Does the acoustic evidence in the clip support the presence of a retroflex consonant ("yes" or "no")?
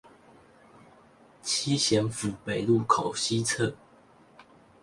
no